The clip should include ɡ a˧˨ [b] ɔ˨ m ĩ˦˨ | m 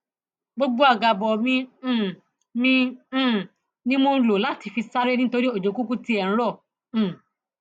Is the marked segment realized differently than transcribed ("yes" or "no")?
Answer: no